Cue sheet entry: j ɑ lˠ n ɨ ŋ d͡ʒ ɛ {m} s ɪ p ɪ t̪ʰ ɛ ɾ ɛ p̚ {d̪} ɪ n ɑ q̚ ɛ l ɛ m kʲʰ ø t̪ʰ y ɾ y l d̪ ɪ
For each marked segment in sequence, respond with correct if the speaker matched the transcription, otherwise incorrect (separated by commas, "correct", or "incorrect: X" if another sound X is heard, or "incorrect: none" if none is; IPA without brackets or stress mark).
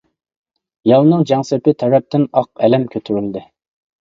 incorrect: ŋ, incorrect: t̪